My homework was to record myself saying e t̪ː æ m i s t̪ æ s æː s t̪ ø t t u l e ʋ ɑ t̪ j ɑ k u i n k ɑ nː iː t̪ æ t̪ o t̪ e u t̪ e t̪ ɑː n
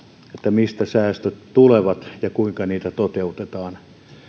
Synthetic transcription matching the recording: e t̪ː æ m i s t̪ æ s æː s t̪ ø t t u l e ʋ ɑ t̪ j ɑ k u i ŋ k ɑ n iː t̪ æ t̪ o t̪ e u t̪ e t̪ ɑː n